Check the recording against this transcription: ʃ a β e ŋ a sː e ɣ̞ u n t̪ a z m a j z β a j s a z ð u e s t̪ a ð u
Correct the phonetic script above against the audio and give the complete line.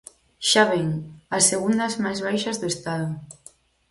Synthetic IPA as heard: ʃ a β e ŋ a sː e ɣ̞ u n d̪ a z m a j z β a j ʃ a z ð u e s t̪ a ð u